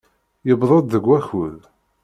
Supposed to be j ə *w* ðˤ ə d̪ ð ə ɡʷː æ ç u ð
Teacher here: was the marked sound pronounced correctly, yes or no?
no